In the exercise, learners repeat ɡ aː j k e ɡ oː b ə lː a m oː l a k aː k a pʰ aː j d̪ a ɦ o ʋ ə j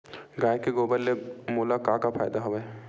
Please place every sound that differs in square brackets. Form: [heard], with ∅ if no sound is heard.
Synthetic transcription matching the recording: ɡ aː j k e ɡ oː b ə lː [e] m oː l a k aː k a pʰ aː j d̪ a ɦ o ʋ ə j

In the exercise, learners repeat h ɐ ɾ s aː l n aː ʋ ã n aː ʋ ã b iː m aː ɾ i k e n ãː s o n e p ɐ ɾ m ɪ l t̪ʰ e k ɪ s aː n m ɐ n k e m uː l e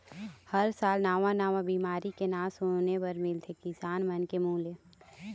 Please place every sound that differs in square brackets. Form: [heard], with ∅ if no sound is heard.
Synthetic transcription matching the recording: h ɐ ɾ s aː l n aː ʋ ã n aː ʋ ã b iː m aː ɾ i k e n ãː s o n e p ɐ ɾ m ɪ l t̪ʰ e k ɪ s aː n m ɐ n k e m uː l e

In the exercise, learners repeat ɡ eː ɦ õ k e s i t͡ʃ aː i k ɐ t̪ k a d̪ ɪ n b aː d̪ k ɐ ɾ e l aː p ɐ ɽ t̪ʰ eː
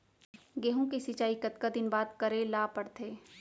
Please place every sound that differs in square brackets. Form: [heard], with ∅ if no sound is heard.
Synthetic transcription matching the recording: ɡ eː ɦ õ k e s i t͡ʃ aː i k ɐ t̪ k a d̪ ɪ n b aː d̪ k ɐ ɾ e l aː p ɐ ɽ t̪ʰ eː

